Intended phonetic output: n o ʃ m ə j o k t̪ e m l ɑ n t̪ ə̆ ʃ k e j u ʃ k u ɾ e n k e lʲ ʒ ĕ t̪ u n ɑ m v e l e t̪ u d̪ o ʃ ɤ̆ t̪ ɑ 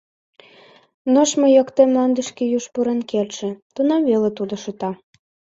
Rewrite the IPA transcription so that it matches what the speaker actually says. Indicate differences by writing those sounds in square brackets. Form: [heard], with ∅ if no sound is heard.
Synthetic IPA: n o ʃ m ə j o k t̪ e m l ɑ n [d̪] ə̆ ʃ k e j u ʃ [p] u ɾ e n k e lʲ [ʃ] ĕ t̪ u n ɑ m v e l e t̪ u d̪ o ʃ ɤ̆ t̪ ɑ